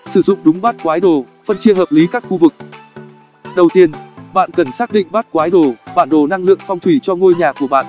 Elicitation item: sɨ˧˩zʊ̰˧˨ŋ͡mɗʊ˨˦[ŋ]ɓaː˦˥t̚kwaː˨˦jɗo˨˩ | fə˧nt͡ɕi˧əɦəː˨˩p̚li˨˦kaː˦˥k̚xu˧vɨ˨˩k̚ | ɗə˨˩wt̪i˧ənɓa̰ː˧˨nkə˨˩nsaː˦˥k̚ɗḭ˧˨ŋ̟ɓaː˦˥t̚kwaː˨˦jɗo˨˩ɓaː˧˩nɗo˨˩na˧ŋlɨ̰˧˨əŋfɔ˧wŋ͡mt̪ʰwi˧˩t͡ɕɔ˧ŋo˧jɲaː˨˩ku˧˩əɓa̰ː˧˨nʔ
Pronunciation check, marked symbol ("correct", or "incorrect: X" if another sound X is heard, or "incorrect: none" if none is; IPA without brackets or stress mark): incorrect: ŋ͡m